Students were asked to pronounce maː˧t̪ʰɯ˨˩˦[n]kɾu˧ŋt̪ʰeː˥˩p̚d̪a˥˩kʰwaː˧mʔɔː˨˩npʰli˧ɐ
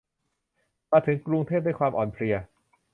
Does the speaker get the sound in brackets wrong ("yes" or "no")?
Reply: yes